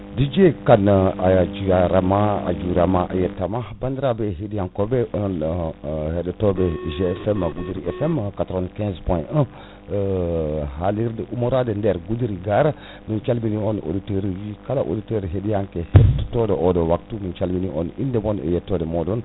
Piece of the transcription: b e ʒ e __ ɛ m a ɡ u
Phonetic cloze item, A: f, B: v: A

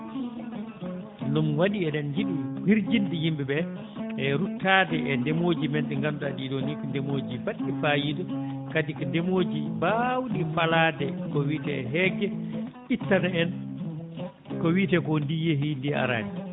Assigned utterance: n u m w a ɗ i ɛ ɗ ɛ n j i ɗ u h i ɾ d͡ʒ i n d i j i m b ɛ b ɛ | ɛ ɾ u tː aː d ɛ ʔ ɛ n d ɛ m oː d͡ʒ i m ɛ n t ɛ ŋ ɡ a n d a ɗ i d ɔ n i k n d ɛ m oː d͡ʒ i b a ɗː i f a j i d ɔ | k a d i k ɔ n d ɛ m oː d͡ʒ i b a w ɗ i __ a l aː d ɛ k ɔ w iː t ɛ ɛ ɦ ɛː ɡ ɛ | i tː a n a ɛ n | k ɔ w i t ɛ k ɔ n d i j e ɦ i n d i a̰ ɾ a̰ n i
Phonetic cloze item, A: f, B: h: A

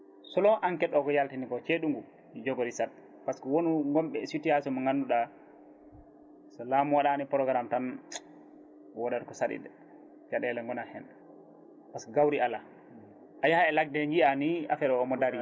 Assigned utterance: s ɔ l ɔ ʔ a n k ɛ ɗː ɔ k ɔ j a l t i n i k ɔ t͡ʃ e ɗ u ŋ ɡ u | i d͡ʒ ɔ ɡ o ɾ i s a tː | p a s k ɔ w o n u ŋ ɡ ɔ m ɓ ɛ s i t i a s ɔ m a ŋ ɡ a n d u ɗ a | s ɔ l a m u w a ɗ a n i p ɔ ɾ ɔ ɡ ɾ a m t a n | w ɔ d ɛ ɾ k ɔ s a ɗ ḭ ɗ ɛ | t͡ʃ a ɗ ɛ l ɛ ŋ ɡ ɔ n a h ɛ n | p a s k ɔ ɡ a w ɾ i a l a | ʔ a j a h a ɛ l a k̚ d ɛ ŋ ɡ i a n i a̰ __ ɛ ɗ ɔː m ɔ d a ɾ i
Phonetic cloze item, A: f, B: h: A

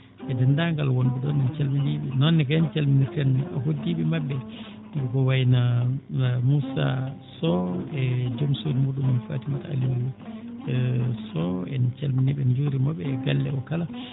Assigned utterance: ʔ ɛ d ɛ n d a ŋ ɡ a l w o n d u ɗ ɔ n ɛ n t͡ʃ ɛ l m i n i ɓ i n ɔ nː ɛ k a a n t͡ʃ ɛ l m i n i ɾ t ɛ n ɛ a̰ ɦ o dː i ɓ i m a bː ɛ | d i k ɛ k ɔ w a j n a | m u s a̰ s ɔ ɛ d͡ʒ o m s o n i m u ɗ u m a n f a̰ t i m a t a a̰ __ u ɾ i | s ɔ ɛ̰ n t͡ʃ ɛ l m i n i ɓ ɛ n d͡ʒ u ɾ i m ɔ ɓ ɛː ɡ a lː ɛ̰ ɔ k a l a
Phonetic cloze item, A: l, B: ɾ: A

